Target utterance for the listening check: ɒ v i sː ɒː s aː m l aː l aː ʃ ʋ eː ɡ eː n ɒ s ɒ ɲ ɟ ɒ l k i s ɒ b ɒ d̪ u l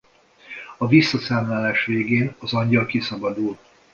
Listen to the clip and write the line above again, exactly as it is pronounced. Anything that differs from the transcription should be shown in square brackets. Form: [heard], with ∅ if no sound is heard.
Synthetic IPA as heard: ɒ v i sː [ɒ] s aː m l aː l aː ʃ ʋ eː ɡ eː n ɒ [z] ɒ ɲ ɟ ɒ l k i s ɒ b ɒ d̪ u l